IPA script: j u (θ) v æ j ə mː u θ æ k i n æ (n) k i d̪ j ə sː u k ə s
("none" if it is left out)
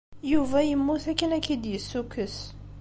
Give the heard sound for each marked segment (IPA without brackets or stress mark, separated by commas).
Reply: none, none